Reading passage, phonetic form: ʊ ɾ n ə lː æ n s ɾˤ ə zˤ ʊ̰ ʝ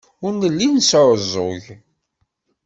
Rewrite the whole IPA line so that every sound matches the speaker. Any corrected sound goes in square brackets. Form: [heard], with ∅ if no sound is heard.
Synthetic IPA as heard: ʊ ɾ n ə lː [i] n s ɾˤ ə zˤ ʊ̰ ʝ